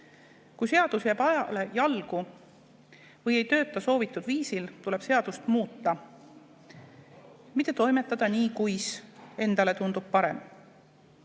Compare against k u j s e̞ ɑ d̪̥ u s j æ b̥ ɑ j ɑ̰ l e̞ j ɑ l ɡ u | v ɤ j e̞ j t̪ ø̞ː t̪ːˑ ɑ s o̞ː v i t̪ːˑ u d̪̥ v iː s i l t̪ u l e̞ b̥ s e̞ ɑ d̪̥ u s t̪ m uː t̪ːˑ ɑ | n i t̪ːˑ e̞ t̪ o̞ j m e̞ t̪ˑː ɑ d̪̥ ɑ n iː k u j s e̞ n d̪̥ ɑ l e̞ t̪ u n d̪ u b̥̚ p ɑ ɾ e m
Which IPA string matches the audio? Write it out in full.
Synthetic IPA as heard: k u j s e̞ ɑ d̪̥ u s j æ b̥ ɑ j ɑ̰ l e̞ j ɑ l ɡ u | v ɤ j e̞ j t̪ ø̞ː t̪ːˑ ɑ s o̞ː v i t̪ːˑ u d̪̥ v iː s i l t̪ u l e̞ b̥ s e̞ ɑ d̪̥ u s t̪ m uː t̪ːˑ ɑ | m i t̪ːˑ e̞ t̪ o̞ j m e̞ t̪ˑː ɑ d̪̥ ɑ n iː k u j s e̞ n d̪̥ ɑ l e̞ t̪ u n d̪ u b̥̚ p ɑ ɾ e m